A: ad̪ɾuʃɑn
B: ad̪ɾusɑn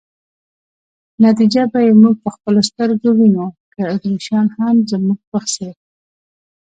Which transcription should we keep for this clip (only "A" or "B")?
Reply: A